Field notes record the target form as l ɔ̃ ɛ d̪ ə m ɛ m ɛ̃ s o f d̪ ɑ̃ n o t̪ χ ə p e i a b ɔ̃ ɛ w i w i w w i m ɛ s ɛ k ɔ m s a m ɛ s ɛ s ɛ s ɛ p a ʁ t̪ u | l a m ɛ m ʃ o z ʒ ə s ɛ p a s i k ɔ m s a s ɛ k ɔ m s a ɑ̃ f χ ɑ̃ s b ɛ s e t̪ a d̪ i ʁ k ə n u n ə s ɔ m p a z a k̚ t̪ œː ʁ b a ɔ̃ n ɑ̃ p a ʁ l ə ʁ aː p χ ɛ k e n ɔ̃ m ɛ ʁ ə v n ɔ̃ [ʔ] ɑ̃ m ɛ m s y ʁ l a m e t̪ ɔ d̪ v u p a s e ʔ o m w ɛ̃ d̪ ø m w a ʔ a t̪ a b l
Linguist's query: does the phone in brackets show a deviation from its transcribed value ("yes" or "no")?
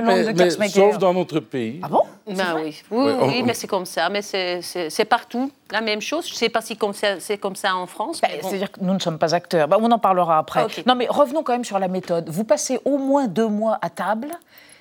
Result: yes